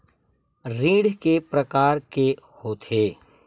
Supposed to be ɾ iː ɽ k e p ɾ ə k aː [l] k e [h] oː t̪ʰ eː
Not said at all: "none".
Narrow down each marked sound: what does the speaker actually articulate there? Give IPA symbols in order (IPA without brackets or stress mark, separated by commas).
ɾ, h